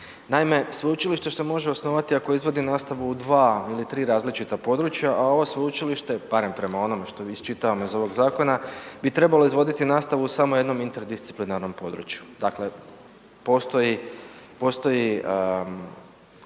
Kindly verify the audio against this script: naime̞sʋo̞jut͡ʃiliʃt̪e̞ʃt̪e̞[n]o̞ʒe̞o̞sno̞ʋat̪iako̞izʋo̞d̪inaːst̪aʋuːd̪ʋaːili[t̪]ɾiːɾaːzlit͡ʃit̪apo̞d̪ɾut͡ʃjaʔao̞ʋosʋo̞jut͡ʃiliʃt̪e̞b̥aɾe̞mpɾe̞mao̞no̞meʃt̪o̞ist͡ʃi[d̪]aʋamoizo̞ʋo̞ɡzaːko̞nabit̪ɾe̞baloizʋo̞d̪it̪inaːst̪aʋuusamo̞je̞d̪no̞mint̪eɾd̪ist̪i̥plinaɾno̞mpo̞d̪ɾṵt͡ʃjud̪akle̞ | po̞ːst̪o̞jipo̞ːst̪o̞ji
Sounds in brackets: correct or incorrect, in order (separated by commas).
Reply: incorrect, correct, incorrect